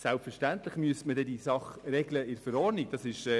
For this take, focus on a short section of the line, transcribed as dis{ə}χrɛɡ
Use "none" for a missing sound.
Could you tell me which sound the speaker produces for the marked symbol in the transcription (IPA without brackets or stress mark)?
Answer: ɑ